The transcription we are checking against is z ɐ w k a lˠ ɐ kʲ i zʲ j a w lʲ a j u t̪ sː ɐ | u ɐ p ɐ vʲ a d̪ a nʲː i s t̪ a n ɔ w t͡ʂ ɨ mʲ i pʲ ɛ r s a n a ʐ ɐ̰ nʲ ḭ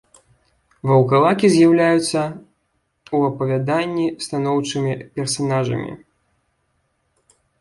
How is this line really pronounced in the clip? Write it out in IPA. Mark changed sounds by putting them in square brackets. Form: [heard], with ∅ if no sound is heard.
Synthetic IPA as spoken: [v] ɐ w k a lˠ [a] kʲ i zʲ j a w lʲ a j u t̪ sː ɐ | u ɐ p ɐ vʲ a d̪ a nʲː i s t̪ a n ɔ w t͡ʂ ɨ mʲ i pʲ ɛ r s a n a ʐ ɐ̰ [mʲ] ḭ